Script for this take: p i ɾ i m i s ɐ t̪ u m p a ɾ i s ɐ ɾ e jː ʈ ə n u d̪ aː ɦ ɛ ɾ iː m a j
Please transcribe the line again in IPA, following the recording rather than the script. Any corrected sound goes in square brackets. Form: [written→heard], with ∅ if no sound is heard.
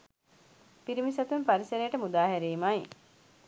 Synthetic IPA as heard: p i ɾ i m i s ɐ t̪ u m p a ɾ i s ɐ ɾ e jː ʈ ə [n→m] u d̪ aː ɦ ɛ ɾ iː m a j